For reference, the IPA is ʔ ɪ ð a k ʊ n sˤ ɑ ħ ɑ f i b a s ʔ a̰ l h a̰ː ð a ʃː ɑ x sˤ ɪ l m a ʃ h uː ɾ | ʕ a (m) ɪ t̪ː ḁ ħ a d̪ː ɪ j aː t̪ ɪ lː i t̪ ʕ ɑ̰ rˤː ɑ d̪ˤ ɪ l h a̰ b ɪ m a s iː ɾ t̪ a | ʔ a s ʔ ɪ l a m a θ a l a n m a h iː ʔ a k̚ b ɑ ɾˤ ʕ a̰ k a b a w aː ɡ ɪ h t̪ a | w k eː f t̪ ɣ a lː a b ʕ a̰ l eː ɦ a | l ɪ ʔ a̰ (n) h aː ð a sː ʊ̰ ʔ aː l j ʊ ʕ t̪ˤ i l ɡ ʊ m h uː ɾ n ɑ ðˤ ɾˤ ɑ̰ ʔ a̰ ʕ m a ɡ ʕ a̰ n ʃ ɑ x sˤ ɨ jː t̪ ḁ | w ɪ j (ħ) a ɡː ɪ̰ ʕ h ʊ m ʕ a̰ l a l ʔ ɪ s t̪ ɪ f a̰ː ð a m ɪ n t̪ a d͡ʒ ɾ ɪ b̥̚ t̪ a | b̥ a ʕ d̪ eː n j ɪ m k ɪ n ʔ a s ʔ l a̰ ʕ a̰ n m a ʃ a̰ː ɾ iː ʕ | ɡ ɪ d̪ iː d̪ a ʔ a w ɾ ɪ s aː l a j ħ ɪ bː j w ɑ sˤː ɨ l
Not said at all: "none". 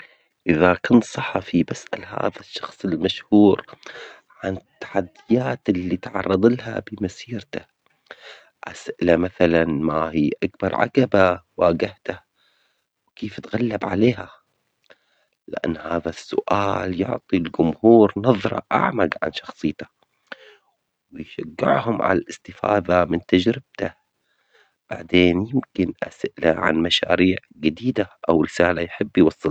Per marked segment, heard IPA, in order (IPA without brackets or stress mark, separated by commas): n, nː, ʃ